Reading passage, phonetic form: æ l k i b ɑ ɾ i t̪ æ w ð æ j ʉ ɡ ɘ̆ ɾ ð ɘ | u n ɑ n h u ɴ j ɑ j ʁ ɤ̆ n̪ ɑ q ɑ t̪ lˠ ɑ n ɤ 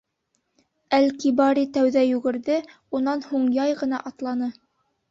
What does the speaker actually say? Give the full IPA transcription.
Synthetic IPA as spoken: æ l k i b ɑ ɾ i t̪ æ w ð æ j ʉ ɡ ɘ̆ ɾ ð ɘ | u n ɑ n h u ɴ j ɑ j ʁ ɤ̆ n̪ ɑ ʔ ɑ t̪ lˠ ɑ n ɤ